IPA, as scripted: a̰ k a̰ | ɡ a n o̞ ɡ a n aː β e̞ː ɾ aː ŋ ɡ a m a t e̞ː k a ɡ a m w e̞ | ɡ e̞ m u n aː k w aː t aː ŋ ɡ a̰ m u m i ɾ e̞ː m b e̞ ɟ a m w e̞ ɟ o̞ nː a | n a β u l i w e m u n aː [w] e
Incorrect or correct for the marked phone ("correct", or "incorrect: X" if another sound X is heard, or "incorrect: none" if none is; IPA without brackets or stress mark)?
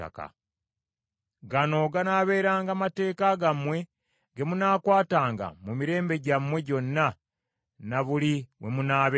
incorrect: β